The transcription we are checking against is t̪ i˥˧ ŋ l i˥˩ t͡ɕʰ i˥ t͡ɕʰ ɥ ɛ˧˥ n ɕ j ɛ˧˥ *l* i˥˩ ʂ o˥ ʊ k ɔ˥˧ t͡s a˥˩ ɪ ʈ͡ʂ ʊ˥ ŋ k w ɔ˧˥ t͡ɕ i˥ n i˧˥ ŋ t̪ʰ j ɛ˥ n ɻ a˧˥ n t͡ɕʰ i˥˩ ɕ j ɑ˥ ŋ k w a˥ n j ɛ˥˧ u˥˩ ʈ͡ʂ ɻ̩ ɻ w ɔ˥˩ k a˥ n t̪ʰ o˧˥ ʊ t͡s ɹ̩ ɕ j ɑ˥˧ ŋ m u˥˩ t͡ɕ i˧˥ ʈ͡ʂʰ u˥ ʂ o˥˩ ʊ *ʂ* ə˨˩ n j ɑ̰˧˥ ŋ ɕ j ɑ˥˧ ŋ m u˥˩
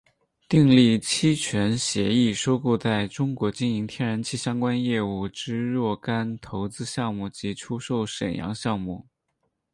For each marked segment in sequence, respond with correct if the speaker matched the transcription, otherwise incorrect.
incorrect, correct

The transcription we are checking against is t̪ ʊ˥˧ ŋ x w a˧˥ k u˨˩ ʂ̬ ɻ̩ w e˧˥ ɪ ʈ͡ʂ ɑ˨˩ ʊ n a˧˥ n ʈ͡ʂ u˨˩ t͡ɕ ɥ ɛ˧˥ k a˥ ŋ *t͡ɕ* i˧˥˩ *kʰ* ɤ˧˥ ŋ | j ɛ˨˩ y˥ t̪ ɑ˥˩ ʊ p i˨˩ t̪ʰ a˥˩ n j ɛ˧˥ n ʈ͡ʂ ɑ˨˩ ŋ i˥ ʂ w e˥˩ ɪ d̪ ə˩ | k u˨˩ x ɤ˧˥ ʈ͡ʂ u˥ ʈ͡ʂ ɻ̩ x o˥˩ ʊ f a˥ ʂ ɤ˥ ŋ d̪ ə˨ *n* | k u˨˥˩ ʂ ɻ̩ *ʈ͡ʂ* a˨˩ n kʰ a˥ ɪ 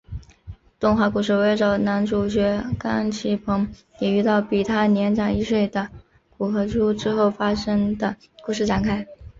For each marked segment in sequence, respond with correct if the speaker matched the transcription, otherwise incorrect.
incorrect, incorrect, incorrect, correct

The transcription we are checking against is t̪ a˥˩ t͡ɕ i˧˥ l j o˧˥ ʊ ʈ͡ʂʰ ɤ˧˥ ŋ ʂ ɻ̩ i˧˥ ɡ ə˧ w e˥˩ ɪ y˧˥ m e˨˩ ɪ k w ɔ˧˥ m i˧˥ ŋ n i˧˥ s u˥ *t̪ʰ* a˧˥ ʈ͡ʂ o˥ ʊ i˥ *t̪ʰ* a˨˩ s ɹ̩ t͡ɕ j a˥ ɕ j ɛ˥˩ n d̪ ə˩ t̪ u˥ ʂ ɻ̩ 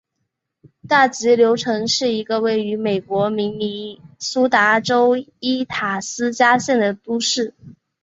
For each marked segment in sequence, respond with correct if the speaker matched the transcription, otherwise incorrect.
incorrect, correct

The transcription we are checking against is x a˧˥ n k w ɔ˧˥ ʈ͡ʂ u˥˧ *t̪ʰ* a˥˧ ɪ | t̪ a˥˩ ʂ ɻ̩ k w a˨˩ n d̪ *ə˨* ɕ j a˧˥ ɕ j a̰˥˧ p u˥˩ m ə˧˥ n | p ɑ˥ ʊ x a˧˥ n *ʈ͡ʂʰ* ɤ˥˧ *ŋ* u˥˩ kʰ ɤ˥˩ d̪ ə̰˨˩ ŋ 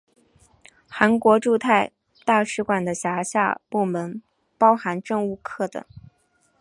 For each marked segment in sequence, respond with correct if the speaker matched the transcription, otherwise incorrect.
correct, incorrect, incorrect, correct

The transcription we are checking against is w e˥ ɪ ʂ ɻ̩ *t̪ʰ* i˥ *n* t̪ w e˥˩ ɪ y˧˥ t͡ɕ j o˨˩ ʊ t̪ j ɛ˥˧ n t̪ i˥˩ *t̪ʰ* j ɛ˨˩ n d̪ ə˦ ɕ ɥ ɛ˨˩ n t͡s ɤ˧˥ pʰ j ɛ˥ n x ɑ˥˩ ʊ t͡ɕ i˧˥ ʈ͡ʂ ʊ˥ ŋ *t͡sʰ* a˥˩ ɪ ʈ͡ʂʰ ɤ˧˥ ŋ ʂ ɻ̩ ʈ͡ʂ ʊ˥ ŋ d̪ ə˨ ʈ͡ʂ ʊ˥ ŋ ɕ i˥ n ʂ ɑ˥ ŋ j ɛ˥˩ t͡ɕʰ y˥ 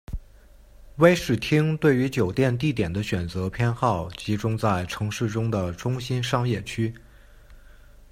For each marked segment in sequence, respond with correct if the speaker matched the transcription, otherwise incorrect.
correct, incorrect, incorrect, incorrect

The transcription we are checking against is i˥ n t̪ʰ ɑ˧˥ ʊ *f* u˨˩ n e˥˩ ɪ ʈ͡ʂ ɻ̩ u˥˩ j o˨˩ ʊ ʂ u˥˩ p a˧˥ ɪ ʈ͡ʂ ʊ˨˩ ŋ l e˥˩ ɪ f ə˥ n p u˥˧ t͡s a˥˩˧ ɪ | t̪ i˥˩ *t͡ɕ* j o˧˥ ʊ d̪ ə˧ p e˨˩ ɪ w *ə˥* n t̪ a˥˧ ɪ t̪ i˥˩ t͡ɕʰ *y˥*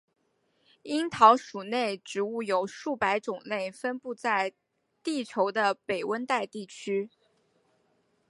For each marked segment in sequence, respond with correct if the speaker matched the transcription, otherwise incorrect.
incorrect, incorrect, correct, correct

